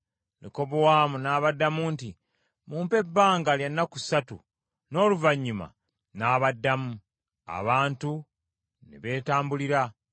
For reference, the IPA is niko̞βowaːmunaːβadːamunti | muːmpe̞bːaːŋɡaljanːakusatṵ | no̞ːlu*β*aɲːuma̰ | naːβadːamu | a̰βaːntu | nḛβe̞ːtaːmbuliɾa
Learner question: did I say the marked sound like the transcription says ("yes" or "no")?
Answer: no